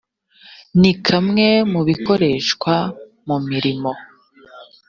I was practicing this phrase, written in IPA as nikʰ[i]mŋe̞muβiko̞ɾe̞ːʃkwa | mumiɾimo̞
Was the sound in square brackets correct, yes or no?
no